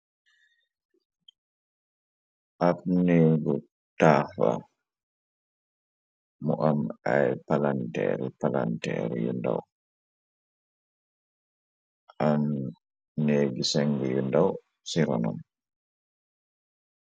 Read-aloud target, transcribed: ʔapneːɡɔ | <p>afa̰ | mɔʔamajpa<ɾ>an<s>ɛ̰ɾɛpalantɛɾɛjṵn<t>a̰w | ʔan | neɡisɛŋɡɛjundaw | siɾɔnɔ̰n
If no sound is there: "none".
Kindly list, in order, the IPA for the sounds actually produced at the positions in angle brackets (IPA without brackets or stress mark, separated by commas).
t, l, t, d